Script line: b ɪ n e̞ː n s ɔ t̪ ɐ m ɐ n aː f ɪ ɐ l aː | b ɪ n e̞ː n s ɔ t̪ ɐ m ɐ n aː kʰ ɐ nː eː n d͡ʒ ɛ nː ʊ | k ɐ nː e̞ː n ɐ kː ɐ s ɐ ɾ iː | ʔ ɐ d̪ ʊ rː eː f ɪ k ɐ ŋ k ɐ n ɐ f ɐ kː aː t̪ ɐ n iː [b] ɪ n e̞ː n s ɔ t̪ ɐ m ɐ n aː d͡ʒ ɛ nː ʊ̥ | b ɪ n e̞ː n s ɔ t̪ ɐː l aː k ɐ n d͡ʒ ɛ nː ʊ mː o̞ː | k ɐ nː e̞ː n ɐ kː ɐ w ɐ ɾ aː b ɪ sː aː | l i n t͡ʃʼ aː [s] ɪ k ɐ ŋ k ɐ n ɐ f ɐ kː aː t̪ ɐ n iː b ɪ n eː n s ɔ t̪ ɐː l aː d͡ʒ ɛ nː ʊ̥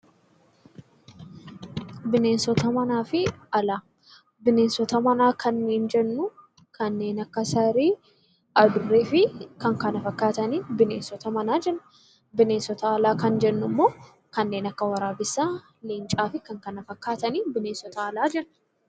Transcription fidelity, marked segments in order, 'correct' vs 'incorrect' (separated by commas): correct, incorrect